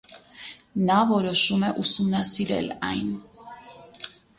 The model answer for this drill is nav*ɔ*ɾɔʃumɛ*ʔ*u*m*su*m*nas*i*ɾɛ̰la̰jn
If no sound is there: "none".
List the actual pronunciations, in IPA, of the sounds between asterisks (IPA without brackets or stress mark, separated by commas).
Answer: ɔ, ʔ, none, m, i